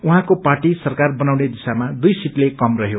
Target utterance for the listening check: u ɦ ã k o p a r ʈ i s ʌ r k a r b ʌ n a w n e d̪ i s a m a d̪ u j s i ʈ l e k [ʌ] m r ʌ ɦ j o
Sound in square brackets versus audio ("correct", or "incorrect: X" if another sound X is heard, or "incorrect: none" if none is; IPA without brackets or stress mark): correct